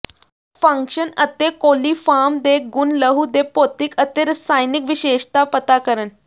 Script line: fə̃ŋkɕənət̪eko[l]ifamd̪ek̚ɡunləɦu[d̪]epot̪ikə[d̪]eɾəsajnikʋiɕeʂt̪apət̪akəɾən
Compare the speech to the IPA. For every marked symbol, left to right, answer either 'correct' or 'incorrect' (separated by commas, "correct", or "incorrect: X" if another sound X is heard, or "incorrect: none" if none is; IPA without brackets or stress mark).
correct, correct, incorrect: t̪